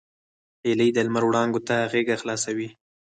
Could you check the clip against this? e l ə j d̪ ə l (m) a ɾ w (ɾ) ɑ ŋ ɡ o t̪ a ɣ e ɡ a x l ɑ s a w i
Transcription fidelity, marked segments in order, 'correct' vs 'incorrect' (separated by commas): correct, incorrect